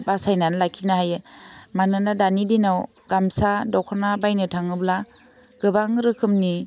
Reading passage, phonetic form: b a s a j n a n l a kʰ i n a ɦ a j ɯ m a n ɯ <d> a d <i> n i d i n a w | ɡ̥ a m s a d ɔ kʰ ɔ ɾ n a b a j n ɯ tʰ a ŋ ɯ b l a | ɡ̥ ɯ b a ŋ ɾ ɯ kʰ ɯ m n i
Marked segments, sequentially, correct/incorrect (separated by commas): incorrect, incorrect